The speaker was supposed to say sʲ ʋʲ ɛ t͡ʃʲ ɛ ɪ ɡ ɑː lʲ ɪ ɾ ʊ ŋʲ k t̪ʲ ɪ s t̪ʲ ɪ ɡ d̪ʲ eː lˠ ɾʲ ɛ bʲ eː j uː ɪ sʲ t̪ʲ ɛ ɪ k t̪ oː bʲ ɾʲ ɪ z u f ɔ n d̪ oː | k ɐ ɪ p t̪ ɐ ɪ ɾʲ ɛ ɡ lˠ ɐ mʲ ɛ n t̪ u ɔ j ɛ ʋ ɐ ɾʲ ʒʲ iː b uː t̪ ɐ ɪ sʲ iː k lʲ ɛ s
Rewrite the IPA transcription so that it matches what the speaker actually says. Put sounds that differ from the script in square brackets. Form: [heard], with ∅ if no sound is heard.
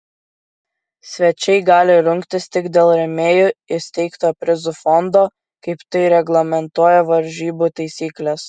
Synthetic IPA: sʲ ʋʲ ɛ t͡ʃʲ ɛ ɪ ɡ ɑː lʲ ɪ ɾ ʊ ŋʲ k t̪ʲ ɪ s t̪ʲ ɪ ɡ d̪ʲ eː lˠ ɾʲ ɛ [mʲ] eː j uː ɪ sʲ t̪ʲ ɛ ɪ k t̪ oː [pʲ] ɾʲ ɪ z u f ɔ n d̪ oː | k ɐ ɪ p t̪ ɐ ɪ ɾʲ ɛ ɡ lˠ ɐ mʲ ɛ n t̪ u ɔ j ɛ ʋ ɐ ɾʲ ʒʲ iː b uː t̪ ɐ ɪ sʲ iː k lʲ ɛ s